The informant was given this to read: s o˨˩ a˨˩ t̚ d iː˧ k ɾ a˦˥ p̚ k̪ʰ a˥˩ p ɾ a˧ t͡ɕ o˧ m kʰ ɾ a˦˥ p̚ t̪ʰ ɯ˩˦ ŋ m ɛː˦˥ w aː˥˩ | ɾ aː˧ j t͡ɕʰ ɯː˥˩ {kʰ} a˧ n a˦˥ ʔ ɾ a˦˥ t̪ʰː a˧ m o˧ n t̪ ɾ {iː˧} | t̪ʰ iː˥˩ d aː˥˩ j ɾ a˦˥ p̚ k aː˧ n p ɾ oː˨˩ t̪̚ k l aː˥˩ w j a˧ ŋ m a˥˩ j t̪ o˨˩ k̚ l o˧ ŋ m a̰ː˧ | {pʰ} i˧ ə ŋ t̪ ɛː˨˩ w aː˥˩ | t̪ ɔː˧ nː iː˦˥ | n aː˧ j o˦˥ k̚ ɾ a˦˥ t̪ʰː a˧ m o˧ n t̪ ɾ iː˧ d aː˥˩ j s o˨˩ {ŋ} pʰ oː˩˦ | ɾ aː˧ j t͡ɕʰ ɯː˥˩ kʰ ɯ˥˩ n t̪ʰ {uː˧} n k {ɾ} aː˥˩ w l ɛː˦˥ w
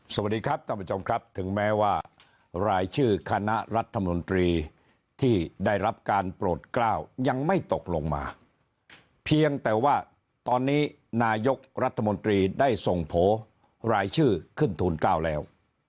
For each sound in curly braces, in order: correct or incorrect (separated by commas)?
correct, correct, correct, correct, correct, incorrect